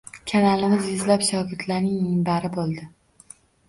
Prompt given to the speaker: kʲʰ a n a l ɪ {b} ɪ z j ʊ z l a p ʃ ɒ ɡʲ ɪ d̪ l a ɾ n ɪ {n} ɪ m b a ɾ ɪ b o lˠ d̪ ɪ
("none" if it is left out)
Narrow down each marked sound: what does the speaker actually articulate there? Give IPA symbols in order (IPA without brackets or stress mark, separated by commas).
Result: m, ŋ